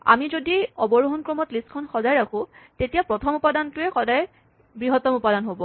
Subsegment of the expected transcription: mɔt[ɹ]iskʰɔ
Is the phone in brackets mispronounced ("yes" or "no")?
yes